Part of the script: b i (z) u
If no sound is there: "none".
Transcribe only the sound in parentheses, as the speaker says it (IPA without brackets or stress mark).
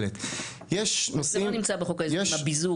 z